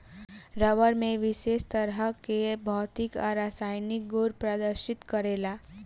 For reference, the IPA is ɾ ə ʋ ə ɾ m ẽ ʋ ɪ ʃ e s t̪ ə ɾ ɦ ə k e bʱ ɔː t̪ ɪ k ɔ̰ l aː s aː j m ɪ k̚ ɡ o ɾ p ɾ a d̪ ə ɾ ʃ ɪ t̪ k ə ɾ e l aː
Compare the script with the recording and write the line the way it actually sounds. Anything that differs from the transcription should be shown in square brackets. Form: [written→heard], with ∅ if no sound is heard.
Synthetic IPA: ɾ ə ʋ ə ɾ m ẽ ʋ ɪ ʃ e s t̪ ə ɾ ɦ ə k e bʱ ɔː t̪ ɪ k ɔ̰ [l→ɾ] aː s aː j [m→n] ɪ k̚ ɡ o ɾ p ɾ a d̪ ə ɾ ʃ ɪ t̪ k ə ɾ e l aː